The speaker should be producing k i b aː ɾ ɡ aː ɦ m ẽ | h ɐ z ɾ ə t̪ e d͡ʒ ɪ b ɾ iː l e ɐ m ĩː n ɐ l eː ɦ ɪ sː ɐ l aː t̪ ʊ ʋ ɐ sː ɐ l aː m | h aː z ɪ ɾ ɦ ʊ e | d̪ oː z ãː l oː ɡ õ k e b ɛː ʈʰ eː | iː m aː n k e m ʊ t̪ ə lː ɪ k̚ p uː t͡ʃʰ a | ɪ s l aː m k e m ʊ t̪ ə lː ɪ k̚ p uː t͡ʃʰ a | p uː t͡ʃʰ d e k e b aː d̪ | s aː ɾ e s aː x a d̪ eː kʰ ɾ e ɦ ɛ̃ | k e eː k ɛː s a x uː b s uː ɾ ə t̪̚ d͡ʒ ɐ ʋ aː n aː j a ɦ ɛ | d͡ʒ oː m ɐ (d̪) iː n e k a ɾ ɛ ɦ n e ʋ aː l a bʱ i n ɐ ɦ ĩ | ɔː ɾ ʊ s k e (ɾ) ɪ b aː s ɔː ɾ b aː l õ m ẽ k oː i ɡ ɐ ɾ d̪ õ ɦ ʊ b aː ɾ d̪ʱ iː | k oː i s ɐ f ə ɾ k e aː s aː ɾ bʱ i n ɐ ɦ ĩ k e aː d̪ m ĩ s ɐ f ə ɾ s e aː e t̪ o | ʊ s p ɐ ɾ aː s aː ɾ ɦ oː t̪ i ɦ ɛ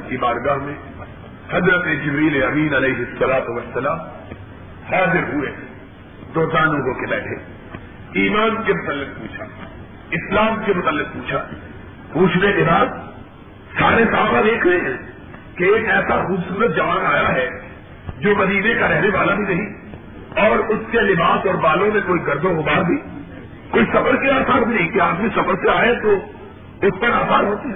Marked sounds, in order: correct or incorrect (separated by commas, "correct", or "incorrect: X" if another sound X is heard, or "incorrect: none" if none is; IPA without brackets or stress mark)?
correct, incorrect: l